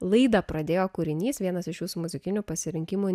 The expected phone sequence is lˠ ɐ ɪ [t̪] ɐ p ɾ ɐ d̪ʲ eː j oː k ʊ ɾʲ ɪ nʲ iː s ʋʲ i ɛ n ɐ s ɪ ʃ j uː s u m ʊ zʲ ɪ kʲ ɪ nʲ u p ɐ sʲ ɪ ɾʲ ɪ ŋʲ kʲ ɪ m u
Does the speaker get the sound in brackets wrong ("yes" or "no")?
yes